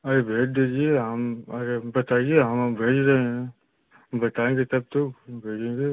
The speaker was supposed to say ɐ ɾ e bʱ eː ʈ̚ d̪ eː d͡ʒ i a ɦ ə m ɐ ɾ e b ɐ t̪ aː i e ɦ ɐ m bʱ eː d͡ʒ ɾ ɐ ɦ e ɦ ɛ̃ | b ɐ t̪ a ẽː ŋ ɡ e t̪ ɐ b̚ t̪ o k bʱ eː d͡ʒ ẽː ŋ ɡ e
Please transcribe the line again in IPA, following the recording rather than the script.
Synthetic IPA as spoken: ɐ ɾ e bʱ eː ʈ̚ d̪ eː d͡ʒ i e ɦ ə m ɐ ɾ e b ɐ t̪ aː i e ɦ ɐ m bʱ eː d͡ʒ ɾ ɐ ɦ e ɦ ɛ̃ | b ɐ t̪ a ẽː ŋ ɡ e t̪ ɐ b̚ t̪ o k bʱ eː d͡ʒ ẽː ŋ ɡ e

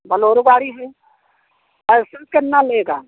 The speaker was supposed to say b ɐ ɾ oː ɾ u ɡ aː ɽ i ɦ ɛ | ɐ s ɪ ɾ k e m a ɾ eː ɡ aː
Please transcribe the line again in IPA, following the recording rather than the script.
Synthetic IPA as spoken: b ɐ l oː ɾ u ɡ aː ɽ i ɦ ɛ | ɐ s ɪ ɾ k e n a l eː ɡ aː

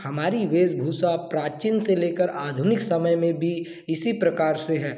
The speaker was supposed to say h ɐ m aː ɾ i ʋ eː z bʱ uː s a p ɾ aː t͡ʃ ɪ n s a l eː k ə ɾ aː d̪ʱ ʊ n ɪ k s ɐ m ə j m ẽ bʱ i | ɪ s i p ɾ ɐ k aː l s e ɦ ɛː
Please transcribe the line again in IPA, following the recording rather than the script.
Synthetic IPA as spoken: h ɐ m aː ɾ i ʋ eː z bʱ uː s a p ɾ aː t͡ʃ ɪ n s e l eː k ə ɾ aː d̪ʱ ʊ n ɪ k s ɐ m ə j m ẽ bʱ i | ɪ s i p ɾ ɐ k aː ɾ s e ɦ ɛː

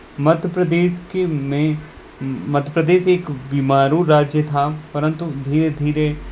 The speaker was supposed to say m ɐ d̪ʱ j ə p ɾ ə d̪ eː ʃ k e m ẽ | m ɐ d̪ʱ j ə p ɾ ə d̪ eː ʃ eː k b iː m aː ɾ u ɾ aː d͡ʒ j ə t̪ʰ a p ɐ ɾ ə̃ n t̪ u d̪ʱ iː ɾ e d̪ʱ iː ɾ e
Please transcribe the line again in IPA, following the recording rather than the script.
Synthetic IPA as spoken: m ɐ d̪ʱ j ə p ɾ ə d̪ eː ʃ k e m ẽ | m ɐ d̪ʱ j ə p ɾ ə d̪ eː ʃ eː k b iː m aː ɾ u ɾ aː d͡ʒ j ə t̪ʰ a p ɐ ɾ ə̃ n t̪ u d̪ʱ iː ɾ e d̪ʱ iː ɾ e

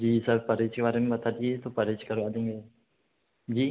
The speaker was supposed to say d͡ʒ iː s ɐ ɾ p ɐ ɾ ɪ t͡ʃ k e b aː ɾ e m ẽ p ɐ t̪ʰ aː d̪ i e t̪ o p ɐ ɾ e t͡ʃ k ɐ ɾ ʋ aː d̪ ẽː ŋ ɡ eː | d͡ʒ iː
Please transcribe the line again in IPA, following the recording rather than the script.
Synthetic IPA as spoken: d͡ʒ iː s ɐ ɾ p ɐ ɾ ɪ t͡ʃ k e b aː ɾ e m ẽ b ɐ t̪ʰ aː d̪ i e t̪ o p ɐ ɾ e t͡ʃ k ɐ ɾ ʋ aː d̪ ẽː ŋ ɡ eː | d͡ʒ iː

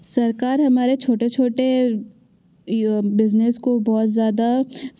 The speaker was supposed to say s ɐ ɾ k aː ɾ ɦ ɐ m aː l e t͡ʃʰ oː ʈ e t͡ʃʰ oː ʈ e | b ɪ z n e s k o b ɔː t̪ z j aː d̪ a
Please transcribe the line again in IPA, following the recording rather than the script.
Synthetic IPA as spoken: s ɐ ɾ k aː ɾ ɦ ɐ m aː ɾ e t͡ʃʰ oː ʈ e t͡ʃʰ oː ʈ e | b ɪ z n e s k o b ɔː t̪ z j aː d̪ a

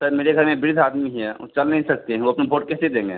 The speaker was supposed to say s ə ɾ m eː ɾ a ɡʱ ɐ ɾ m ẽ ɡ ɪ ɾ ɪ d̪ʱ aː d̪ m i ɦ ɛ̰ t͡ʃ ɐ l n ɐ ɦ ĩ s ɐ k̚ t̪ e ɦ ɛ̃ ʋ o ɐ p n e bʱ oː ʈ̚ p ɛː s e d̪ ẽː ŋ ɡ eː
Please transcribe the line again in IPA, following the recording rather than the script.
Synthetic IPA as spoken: s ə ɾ m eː ɾ e ɡʱ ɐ ɾ m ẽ b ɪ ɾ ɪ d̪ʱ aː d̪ m i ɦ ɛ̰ t͡ʃ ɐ l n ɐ ɦ ĩ s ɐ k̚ t̪ e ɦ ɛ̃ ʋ o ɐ p n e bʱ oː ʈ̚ k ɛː s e d̪ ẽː ŋ ɡ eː

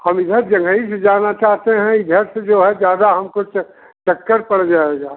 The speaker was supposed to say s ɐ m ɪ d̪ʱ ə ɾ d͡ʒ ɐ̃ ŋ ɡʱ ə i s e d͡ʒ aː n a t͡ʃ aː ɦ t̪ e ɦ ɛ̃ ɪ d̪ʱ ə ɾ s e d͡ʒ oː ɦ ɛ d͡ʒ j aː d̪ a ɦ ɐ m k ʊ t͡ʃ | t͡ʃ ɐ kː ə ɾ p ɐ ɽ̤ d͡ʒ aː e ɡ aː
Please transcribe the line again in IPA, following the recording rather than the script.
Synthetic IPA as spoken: h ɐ m ɪ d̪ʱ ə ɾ d͡ʒ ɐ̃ ŋ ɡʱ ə i s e d͡ʒ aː n a t͡ʃ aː ɦ t̪ e ɦ ɛ̃ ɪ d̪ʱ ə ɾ s e d͡ʒ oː ɦ ɛ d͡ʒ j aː d̪ a ɦ ɐ m k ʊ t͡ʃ | t͡ʃ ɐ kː ə ɾ p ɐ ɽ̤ d͡ʒ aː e ɡ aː

